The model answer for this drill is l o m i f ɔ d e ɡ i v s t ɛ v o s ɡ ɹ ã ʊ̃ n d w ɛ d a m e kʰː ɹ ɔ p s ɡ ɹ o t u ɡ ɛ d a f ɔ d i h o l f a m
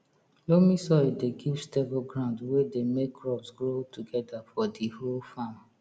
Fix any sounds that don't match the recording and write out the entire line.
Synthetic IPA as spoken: l o m i s ɔ d e ɡ i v s t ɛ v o ɡ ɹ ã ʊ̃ n d w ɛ d e m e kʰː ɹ ɔ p s ɡ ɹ o t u ɡ ɛ d a f ɔ d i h o l f a m